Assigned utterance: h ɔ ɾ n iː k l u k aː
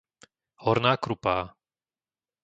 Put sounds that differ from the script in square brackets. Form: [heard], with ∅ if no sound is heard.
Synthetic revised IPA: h ɔ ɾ n [aː] k [ɾ] u [p] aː